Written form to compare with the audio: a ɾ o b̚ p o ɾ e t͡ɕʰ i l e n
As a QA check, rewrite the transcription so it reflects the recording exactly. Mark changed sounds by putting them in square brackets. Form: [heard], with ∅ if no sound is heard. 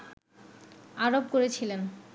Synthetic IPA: a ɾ o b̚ [k] o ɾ e t͡ɕʰ i l e n